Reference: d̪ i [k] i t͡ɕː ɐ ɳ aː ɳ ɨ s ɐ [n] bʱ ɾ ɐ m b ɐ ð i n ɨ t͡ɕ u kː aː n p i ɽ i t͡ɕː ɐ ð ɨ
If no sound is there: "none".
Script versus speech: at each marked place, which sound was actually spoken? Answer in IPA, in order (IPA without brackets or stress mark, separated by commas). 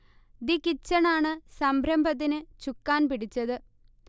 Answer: k, m